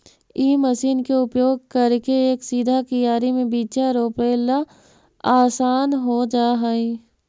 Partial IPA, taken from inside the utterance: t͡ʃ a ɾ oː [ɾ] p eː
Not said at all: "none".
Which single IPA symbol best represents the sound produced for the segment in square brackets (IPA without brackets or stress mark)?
none